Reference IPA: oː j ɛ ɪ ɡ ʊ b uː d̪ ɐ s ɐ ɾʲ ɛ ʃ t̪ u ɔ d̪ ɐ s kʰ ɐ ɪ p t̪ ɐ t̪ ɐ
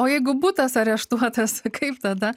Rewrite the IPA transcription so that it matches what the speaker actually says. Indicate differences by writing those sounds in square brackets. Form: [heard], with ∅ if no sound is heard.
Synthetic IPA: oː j ɛ ɪ ɡ ʊ b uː [t̪] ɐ s ɐ ɾʲ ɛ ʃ t̪ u ɔ [t̪] ɐ s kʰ ɐ ɪ p t̪ ɐ [d̪] ɐ